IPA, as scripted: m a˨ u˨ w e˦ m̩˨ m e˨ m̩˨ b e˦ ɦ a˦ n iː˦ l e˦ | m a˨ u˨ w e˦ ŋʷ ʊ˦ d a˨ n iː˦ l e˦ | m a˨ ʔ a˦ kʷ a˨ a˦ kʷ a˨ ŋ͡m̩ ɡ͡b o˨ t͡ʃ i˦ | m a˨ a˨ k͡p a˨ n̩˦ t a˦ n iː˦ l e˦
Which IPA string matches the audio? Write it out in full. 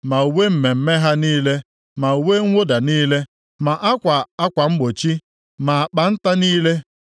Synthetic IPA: m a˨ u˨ w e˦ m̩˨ m e˨ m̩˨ m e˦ ɦ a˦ n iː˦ l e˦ | m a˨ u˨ w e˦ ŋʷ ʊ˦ d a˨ n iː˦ l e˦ | m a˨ ʔ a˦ kʷ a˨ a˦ kʷ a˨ ŋ͡m̩ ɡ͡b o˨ t͡ʃ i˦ | m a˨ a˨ k͡p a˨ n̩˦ t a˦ n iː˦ l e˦